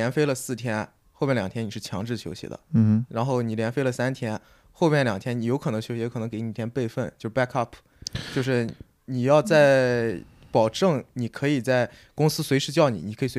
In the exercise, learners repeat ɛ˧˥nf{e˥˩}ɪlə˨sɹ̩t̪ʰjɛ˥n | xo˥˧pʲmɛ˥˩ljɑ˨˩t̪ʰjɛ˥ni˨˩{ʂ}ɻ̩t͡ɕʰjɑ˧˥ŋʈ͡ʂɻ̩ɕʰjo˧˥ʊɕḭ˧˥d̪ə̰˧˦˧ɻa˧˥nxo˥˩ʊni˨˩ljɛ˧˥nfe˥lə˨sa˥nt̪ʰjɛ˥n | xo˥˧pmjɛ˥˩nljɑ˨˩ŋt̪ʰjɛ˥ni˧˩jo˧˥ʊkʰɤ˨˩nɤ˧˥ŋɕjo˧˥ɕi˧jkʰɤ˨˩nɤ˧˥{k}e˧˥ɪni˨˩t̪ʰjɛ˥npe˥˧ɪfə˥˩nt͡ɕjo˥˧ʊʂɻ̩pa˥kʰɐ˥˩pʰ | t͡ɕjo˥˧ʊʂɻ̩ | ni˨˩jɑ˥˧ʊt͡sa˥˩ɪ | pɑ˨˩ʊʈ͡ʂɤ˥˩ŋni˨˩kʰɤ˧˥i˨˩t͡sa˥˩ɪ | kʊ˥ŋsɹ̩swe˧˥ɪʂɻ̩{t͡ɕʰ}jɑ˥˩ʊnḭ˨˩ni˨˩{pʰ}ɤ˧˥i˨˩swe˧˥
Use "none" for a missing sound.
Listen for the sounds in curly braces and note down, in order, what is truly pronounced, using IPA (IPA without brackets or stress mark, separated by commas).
e˥, ʂ, k, t͡ɕ, kʰ